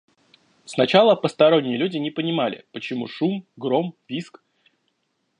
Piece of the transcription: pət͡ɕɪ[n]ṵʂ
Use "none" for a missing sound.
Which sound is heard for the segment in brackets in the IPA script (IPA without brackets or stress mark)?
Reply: m